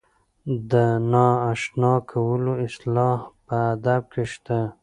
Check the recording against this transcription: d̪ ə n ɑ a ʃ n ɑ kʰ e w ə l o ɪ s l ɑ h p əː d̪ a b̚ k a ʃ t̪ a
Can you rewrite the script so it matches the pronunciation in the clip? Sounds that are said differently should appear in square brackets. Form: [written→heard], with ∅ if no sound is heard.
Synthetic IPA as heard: d̪ ə n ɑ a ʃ n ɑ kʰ [e→a] w ə l o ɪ s l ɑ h p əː d̪ a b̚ k [a→e] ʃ t̪ a